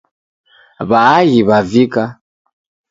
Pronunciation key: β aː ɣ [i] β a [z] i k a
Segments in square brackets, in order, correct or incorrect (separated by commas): correct, incorrect